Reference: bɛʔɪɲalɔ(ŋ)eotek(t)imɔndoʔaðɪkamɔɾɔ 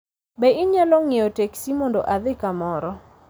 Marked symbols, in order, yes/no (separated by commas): yes, no